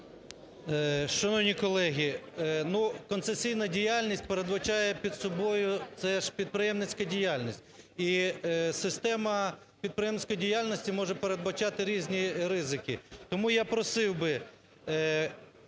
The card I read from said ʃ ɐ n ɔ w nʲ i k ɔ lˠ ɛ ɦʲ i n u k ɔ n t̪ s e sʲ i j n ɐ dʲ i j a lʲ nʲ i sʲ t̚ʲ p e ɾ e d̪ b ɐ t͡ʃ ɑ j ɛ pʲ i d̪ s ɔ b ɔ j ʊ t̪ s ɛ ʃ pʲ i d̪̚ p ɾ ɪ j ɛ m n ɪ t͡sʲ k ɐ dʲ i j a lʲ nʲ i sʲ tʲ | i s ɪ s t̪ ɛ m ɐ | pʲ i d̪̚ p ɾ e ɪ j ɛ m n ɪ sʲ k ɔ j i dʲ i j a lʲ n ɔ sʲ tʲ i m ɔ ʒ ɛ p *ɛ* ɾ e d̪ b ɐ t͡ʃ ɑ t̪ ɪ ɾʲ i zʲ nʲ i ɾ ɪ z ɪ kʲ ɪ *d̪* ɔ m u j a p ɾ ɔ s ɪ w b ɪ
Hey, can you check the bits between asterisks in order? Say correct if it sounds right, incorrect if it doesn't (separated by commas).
incorrect, incorrect